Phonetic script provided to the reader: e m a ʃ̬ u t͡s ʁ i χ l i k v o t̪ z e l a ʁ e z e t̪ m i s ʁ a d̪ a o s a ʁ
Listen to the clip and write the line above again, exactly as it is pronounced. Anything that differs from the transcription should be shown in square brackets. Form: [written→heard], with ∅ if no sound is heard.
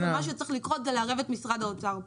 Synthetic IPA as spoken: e m a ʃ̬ u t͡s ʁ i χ l i k [v→ʁ] o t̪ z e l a ʁ e [z→v] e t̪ m i s ʁ a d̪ a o [s→t͡s] a ʁ